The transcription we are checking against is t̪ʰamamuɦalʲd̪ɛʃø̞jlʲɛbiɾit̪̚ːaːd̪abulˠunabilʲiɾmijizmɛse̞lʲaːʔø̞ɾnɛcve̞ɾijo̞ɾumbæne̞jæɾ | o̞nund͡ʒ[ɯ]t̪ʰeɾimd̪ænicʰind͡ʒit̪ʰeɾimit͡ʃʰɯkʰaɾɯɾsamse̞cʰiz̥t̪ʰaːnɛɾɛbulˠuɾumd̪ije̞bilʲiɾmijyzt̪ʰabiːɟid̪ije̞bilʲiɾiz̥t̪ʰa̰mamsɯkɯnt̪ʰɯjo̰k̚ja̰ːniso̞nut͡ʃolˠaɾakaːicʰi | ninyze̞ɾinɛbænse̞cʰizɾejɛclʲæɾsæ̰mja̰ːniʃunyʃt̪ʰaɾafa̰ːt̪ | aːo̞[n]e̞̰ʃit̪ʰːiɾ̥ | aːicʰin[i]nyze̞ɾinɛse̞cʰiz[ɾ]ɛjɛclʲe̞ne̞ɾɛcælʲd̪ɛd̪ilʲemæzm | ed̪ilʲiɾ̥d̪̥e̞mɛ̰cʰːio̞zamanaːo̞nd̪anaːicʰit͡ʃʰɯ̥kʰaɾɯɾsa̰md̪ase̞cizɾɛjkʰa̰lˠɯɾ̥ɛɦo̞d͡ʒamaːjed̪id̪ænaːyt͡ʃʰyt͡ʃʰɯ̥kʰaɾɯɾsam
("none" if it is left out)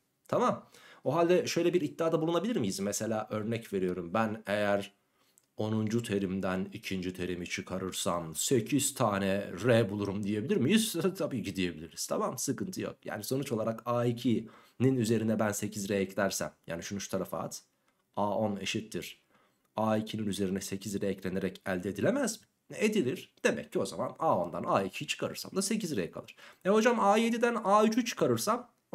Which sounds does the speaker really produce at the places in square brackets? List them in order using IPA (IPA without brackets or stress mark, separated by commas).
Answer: u, n, i, ɾ